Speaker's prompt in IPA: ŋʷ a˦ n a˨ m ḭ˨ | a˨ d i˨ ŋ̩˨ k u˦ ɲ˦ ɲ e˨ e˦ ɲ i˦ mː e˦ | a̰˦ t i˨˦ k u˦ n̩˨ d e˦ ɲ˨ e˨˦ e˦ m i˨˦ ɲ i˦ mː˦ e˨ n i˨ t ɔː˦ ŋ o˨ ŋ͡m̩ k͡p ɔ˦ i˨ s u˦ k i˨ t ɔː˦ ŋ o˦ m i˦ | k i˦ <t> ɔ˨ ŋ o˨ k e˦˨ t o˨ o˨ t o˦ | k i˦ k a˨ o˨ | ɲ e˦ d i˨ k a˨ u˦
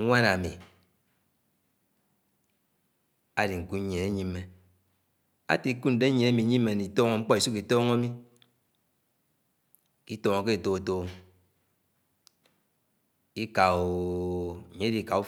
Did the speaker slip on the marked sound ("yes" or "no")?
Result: no